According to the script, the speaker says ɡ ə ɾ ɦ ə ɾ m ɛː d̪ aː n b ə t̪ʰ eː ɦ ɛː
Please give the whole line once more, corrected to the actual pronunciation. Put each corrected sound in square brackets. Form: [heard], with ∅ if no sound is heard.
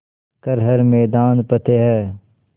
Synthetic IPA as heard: [k] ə ɾ ɦ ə ɾ m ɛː d̪ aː n [p] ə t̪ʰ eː ɦ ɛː